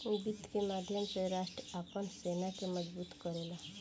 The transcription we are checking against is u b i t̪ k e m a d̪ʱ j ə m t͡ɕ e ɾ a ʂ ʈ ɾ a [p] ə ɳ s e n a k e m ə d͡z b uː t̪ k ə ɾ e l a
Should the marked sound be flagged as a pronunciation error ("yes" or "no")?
no